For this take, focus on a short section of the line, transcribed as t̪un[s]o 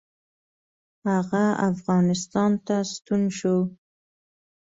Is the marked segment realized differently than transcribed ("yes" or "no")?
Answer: yes